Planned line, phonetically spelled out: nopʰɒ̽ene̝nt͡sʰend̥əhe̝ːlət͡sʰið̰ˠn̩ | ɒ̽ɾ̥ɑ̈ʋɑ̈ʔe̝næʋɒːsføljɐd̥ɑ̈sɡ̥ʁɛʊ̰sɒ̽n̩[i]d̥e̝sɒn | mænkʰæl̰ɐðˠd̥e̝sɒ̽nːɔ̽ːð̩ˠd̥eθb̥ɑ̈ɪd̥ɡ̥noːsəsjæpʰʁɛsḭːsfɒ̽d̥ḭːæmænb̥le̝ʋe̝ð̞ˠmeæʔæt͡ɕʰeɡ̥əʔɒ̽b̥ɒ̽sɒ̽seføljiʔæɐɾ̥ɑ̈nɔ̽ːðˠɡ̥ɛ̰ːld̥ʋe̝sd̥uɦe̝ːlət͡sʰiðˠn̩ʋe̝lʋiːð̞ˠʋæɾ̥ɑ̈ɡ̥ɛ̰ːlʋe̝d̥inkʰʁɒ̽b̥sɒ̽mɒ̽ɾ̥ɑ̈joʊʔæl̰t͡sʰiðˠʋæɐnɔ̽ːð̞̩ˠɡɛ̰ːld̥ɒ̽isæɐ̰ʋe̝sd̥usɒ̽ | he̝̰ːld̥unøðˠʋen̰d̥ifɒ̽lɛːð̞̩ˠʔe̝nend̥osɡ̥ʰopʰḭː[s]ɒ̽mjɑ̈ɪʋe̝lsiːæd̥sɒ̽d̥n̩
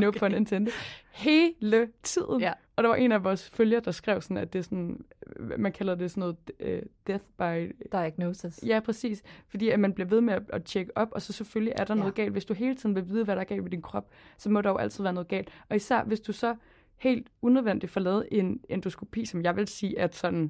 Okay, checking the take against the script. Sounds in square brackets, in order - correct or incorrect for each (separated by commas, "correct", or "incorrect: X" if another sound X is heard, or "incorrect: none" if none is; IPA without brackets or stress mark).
incorrect: æ, correct